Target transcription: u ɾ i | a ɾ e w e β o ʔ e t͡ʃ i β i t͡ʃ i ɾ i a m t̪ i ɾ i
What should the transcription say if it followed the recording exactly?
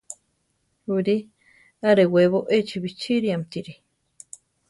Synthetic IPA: u ɾ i | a ɾ e w e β o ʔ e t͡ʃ i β i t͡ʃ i ɾ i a m t̪ i ɾ i